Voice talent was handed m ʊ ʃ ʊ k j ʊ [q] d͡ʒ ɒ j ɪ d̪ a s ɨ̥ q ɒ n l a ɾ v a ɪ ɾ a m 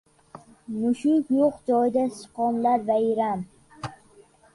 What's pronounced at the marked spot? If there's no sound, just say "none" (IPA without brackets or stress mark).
q